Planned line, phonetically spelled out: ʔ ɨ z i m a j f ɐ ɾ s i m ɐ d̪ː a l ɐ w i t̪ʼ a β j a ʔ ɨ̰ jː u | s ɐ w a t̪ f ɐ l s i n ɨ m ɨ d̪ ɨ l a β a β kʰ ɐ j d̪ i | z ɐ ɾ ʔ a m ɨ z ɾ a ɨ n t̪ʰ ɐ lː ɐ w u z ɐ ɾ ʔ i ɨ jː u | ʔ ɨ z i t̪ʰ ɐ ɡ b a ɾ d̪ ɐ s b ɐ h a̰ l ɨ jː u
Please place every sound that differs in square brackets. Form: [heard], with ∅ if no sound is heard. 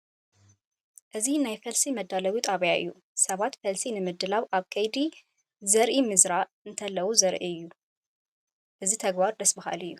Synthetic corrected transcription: ʔ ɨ z i [n] a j f ɐ [l] s i m ɐ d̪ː a l ɐ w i t̪ʼ a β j a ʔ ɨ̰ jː u | s ɐ [β] a t̪ f ɐ l s i n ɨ m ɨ d̪ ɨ l a β a β kʰ ɐ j d̪ i | z ɐ ɾ ʔ [i] m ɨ z ɾ a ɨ n t̪ʰ ɐ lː ɐ w u z ɐ ɾ ʔ i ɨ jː u | ʔ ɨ z i t̪ʰ ɐ ɡ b a ɾ d̪ ɐ s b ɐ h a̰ l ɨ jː u